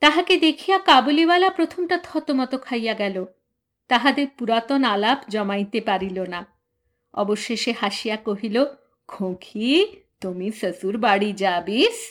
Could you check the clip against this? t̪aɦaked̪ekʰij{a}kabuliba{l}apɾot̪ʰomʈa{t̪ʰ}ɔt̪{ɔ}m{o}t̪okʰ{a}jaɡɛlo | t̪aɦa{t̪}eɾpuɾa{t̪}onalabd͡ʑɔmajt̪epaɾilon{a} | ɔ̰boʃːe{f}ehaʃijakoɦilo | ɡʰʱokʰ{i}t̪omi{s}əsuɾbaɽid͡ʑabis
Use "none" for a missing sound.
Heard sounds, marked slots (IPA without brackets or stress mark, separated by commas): a, l, t̪ʰ, o, ɔ, a, d̪, t̪, a, ʃ, i, s